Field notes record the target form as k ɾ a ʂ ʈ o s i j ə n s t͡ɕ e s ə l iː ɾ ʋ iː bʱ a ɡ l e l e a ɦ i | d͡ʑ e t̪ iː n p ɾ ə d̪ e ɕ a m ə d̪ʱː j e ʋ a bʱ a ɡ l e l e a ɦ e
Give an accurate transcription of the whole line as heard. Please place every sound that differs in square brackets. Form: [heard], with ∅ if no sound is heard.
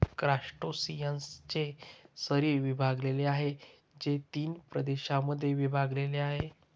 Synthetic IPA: k ɾ a ʂ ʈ o s i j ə n s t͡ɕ e s ə [ɾ] iː ɾ ʋ [i] bʱ a ɡ l e l e a ɦ [e] | d͡ʑ e t̪ iː n p ɾ ə d̪ e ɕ a m ə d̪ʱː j e ʋ [i] bʱ a ɡ l e l e a ɦ e